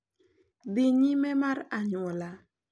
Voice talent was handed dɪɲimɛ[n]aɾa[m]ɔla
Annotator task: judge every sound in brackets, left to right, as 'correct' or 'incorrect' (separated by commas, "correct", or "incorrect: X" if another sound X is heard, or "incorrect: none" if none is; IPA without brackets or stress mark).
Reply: incorrect: m, incorrect: ɲ